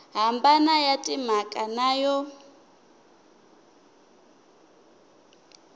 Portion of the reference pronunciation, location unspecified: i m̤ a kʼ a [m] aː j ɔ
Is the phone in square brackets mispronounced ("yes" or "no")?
yes